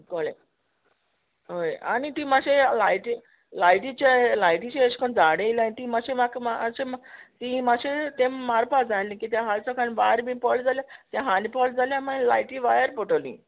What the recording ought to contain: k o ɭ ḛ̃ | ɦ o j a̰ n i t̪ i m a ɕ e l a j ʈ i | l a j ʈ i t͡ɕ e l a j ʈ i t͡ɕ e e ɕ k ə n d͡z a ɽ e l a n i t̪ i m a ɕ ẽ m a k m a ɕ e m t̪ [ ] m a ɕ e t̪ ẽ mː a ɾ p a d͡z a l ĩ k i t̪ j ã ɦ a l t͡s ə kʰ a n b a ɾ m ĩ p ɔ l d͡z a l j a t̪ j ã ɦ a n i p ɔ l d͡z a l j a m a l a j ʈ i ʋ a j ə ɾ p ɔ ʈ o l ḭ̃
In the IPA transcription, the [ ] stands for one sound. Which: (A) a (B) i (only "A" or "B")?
B